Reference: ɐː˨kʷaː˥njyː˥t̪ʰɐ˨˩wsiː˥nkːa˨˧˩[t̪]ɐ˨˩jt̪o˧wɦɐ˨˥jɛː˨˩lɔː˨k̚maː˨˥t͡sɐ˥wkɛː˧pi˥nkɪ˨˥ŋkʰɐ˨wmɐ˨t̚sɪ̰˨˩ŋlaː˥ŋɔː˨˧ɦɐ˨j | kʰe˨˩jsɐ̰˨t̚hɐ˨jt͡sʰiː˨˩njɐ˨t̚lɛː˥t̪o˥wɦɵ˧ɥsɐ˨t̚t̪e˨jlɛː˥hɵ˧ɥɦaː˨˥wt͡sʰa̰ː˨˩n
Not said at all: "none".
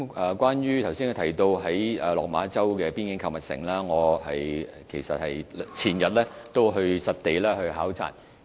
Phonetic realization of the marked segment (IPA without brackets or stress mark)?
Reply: t̪ʰ